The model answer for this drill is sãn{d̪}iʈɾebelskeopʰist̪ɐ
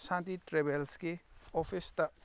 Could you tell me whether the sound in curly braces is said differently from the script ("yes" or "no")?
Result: yes